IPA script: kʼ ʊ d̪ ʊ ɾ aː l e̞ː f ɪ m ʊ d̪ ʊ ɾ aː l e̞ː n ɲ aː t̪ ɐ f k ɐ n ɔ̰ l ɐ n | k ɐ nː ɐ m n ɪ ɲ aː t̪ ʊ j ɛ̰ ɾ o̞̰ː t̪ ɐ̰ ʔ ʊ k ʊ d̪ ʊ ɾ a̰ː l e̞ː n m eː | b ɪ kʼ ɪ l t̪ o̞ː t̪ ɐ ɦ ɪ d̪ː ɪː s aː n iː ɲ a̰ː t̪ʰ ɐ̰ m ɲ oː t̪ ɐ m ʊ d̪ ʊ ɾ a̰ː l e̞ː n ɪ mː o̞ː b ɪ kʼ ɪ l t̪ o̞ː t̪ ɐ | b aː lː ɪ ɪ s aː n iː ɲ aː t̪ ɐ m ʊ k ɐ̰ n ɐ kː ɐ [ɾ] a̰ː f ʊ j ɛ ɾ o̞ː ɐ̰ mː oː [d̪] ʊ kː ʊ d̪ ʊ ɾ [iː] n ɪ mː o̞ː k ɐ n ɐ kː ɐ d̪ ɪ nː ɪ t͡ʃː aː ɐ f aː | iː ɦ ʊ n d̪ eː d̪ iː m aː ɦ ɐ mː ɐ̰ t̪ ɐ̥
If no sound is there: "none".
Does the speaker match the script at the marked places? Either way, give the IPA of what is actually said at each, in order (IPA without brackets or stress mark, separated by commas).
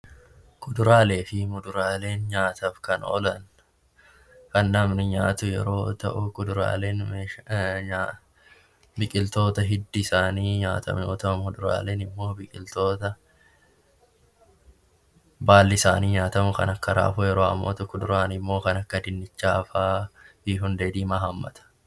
ɾ, t̪, aː